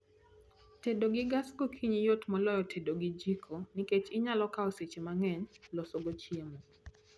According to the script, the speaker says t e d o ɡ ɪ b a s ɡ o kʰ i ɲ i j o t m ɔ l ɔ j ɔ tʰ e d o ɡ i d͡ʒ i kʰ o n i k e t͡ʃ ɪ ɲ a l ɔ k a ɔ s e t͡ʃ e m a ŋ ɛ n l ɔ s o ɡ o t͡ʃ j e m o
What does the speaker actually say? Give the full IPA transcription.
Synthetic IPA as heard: t e d o ɡ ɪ ɡ a s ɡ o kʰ i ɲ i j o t m ɔ l ɔ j ɔ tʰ e d o ɡ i d͡ʒ i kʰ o n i k e t͡ʃ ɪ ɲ a l ɔ k a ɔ s e t͡ʃ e m a ŋ ɛ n l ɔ s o ɡ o t͡ʃ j e m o

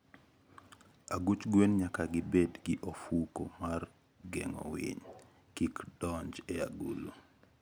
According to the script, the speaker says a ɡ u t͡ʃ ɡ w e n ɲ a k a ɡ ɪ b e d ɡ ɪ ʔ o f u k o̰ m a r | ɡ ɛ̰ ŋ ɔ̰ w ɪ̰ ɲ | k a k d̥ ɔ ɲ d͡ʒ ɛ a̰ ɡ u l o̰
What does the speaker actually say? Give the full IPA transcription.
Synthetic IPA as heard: a ɡ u t͡ʃ ɡ w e n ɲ a k a ɡ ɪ b e d ɡ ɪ ʔ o f u k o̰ m a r | ɡ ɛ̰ ŋ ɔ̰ w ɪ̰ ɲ | k i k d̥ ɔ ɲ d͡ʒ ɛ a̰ ɡ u l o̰

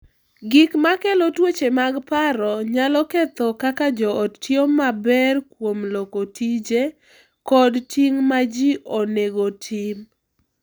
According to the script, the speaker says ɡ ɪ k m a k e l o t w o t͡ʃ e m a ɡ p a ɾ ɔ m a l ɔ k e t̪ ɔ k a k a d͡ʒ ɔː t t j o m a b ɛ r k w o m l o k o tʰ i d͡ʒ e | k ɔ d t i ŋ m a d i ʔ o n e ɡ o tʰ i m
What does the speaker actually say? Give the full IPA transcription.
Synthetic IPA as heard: ɡ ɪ k m a k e l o t w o t͡ʃ e m a ɡ p a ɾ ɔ ɲ a l ɔ k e t̪ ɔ k a k a d͡ʒ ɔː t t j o m a b ɛ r k w o m l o k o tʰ i d͡ʒ e | k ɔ d t i ŋ m a d͡ʒ i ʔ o n e ɡ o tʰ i m

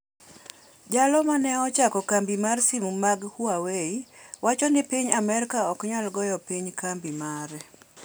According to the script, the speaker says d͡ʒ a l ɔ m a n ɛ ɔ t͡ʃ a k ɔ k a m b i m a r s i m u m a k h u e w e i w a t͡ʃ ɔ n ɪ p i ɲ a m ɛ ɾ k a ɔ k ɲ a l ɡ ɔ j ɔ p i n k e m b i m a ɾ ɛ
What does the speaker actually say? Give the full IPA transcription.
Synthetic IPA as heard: d͡ʒ a l ɔ m a n ɛ ɔ t͡ʃ a k ɔ k a m b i m a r s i m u m a ɡ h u a w e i w a t͡ʃ ɔ n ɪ p i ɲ a m ɛ ɾ k a ɔ k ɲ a l ɡ ɔ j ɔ p i ɲ k a m b i m a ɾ ɛ

